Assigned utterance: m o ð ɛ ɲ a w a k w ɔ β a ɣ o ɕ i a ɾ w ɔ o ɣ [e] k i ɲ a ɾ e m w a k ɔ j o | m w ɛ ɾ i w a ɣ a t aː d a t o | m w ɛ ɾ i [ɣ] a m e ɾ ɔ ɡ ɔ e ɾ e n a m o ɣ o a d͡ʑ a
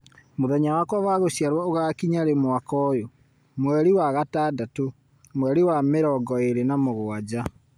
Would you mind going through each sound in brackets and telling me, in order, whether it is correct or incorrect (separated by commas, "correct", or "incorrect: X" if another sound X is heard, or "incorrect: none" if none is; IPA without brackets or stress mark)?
incorrect: a, incorrect: w